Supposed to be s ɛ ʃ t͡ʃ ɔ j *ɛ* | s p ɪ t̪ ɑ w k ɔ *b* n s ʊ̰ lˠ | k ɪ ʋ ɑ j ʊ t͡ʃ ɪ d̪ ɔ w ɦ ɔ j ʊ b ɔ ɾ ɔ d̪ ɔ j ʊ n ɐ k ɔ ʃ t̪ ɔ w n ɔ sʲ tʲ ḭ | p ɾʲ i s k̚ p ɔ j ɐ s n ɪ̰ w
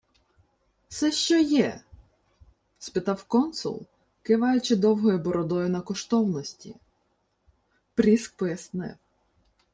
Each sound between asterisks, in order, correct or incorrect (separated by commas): correct, incorrect